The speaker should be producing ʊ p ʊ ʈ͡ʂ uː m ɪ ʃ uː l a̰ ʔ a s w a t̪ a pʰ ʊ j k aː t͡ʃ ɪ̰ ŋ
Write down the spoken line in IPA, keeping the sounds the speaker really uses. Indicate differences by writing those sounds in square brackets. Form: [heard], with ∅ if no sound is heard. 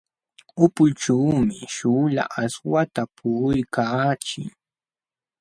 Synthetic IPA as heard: ʊ p ʊ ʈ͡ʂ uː m ɪ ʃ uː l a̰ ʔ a s w a t̪ a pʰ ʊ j k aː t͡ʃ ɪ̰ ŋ

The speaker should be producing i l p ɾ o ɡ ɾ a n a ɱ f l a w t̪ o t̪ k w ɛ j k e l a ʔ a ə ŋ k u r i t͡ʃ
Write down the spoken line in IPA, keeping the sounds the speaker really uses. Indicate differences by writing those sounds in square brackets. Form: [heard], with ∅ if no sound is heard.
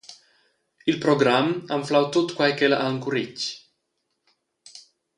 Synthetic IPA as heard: i l p ɾ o ɡ ɾ a [m] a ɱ f l a w t̪ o t̪ k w [a] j k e l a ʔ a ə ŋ k u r i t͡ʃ

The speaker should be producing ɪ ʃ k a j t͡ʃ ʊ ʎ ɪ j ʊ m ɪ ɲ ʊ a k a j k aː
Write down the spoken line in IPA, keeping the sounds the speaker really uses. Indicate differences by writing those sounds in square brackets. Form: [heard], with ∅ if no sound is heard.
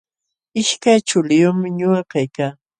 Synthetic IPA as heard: ɪ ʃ k a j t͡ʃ ʊ [l] ɪ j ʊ m ɪ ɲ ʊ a k a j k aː

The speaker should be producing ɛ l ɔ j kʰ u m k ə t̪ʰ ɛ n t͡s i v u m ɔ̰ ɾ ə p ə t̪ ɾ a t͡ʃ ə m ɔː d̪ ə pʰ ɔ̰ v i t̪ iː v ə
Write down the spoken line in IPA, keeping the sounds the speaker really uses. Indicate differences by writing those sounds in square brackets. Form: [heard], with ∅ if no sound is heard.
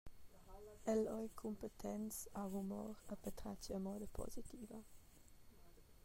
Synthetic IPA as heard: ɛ l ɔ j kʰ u m [p] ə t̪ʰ ɛ n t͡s [a] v u m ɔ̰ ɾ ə p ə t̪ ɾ a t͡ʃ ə m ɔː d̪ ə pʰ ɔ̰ [z] i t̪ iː v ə

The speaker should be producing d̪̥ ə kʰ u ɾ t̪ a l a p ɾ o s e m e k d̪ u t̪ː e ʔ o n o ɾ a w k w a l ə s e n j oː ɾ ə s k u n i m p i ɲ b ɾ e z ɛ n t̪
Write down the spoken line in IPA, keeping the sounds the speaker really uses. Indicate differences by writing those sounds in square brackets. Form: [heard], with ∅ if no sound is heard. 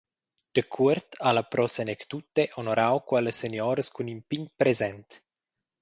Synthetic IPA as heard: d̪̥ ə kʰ u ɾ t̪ a l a p ɾ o s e [n] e k [t̪] u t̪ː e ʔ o n o ɾ a w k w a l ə s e n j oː ɾ ə s k u n i m p i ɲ [p] ɾ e z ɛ n t̪

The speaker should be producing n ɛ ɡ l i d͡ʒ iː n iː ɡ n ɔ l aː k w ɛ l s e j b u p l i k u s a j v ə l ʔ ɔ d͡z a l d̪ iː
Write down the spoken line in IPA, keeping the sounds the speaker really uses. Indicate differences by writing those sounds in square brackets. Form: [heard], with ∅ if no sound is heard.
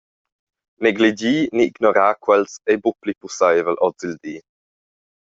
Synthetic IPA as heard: n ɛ ɡ l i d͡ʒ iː n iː ɡ n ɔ [ɾ] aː k w ɛ l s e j b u p l i [p] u s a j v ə l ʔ ɔ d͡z [i] l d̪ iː

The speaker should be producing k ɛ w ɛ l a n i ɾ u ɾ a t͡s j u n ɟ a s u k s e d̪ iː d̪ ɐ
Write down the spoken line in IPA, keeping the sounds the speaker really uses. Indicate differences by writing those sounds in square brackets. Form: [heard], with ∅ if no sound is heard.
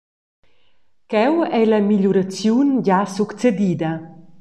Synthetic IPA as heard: k ɛ w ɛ l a [m] i [ʎ] u ɾ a t͡s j u n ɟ a s u k [t͡s] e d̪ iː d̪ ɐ

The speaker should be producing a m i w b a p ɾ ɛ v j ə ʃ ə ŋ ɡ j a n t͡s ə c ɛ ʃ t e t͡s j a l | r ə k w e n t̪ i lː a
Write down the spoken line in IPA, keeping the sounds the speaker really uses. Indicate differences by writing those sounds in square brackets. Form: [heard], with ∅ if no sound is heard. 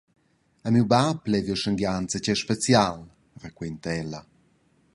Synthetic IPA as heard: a m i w b a p [l] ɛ v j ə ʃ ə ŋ ɡ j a n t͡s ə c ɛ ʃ [p] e t͡s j a l | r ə k w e n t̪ [ɛ] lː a

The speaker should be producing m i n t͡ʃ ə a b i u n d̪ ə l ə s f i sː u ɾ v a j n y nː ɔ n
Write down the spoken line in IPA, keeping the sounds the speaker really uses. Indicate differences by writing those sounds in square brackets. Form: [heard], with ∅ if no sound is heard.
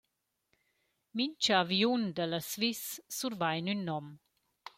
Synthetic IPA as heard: m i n t͡ʃ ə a [v] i u n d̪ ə l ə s [v] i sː u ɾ v a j n y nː ɔ [m]

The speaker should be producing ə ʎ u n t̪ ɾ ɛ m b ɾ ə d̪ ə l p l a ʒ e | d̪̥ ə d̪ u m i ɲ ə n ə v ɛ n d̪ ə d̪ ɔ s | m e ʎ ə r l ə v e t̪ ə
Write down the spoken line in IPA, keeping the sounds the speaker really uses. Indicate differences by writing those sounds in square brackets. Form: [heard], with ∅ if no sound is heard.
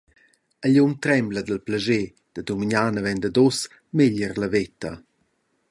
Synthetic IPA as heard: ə ʎ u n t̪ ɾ ɛ m b [l] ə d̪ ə l p l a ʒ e | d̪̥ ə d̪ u m i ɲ [a] n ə v ɛ n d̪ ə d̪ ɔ s | m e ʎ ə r l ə v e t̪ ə

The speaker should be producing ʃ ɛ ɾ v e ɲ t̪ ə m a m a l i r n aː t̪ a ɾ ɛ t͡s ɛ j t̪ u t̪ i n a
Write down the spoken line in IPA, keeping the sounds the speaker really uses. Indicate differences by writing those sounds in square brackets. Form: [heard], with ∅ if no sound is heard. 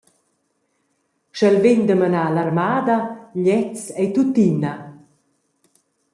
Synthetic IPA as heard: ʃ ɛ [l] v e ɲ [d̪] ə m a [n] a l [a] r [m] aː [d̪] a [ʎ] ɛ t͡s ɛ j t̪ u t̪ i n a

